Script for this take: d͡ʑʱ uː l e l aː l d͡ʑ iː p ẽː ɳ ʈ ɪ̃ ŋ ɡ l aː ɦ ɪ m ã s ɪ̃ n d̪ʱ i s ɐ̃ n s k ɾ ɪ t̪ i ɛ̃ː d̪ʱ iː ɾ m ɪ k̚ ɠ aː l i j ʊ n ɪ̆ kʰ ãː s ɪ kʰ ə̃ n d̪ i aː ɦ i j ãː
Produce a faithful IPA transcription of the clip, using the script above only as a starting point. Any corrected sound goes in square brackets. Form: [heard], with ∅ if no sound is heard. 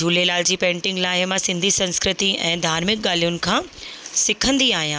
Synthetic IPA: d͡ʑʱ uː l e l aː l d͡ʑ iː p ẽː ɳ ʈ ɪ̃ ŋ ɡ l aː ɦ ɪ m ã s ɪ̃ n d̪ʱ i s ɐ̃ n s k ɾ ɪ t̪ i ɛ̃ː d̪ʱ [aː] ɾ m ɪ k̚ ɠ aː l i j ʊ n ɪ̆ kʰ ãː s ɪ kʰ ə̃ n d̪ i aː ɦ i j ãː